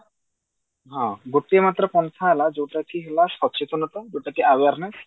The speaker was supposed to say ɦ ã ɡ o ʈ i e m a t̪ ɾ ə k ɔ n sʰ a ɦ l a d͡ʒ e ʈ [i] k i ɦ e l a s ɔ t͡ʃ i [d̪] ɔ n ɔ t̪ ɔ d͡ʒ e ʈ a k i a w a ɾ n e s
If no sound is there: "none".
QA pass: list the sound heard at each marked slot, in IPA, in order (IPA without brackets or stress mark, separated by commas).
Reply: a, t̪